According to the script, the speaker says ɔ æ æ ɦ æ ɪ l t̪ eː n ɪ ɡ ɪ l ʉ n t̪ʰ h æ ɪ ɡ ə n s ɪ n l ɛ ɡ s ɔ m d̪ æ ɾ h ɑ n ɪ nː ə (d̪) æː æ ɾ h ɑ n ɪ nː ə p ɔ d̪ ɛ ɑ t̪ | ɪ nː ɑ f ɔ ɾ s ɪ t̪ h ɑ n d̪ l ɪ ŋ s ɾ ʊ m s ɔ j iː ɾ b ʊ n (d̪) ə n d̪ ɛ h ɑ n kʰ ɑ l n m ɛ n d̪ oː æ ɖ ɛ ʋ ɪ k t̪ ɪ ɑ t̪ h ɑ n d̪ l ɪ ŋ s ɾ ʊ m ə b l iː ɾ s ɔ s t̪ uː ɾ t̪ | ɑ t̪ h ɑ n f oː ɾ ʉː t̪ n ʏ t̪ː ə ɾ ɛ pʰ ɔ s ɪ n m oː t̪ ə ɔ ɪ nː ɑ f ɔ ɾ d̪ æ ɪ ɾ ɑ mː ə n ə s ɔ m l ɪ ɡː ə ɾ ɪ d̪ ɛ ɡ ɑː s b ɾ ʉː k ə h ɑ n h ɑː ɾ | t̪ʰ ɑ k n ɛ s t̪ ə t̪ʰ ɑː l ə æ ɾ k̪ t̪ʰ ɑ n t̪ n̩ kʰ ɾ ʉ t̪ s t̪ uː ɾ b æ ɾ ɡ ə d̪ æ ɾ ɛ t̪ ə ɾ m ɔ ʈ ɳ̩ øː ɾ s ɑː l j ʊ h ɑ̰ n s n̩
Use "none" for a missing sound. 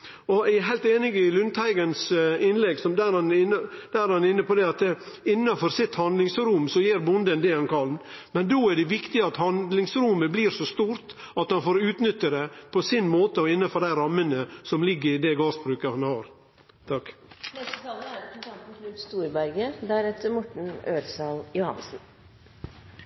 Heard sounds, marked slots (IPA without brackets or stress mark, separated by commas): d̪, d̪